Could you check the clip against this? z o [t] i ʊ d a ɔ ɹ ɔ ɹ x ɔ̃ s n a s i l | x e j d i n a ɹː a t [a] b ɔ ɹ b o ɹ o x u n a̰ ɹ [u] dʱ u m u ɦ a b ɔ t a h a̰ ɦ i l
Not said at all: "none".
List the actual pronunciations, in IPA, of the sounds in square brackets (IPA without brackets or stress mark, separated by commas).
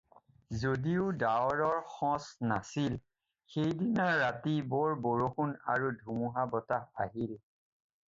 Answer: d, i, u